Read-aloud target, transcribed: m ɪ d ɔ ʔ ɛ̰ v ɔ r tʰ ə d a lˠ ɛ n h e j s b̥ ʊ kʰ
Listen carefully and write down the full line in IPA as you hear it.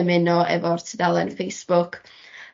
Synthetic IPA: m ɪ n ɔ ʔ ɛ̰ v ɔ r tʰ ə d a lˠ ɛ n f e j s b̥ ʊ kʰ